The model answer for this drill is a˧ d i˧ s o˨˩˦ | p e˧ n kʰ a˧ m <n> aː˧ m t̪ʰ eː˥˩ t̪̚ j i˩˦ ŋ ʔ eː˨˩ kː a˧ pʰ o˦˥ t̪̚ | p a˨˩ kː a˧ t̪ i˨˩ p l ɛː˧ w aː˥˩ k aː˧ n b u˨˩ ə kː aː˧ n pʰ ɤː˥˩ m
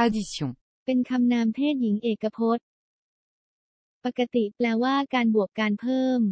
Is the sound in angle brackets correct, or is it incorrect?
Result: correct